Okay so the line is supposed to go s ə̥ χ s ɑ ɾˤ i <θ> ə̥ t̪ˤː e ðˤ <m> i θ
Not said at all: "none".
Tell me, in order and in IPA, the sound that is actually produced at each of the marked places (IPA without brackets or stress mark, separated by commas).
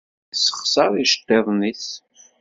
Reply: ʃ, n